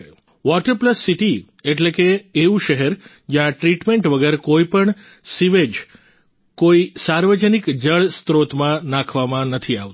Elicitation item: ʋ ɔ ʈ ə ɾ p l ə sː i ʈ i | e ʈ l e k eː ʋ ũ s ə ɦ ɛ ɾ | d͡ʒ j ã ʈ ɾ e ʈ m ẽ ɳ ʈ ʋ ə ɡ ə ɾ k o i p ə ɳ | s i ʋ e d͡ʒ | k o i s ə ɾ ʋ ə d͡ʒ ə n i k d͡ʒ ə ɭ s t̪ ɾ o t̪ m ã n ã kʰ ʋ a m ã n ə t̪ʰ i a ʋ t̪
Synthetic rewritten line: ʋ ɔ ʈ ə ɾ p l ə sː i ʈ i | e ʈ l e k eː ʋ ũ ʃ ə ɦ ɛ ɾ | d͡ʒ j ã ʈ ɾ i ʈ m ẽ ɳ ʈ ʋ ə ɡ ə ɾ k o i p ə ɳ | s i ʋ e d͡ʒ | k o i s a ɾ ʋ ə d͡ʒ ə n i k d͡ʒ ə ɭ s t̪ ɾ o t̪ m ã n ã kʰ ʋ a m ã n ə t̪ʰ i a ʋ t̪